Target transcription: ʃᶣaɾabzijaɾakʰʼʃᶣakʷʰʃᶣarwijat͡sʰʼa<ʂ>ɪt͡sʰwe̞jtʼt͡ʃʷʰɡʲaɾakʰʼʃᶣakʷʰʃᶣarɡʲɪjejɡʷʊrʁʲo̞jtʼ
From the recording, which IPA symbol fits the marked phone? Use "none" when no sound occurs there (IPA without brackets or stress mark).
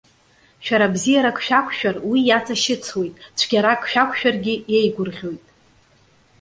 ʃ